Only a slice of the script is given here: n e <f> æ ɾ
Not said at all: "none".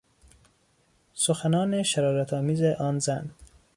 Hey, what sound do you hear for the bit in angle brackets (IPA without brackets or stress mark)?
ʃ